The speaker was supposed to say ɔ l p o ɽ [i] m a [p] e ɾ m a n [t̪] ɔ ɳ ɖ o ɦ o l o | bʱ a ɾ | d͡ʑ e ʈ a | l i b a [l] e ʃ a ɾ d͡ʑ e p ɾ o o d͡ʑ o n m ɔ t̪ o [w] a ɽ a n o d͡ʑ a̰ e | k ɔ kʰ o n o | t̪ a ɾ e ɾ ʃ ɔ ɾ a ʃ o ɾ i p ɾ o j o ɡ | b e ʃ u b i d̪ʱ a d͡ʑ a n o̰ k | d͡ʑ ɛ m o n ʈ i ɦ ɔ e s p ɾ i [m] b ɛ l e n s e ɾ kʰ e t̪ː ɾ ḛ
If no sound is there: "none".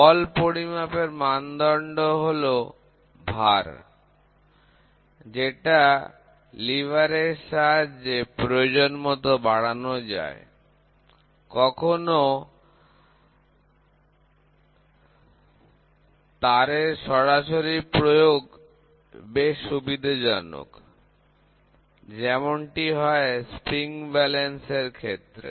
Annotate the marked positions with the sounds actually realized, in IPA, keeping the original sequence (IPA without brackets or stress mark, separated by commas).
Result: i, p, d̪, ɾ, b, ŋ